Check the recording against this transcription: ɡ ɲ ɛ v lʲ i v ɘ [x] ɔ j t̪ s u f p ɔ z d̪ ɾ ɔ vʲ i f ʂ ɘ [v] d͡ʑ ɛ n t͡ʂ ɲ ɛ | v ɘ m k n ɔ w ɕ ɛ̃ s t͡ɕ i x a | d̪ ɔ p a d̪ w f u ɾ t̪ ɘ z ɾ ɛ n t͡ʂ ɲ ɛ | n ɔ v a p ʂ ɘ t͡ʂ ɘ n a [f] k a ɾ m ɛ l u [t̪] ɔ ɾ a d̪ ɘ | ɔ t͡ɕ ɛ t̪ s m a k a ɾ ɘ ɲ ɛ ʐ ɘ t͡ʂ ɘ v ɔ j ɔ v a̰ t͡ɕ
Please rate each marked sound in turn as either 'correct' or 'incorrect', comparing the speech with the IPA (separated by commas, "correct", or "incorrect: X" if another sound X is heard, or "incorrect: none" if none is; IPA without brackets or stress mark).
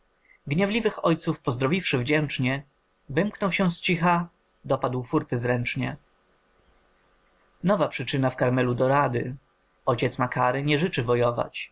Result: correct, correct, correct, incorrect: d̪